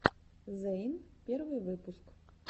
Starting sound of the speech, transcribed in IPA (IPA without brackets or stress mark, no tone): z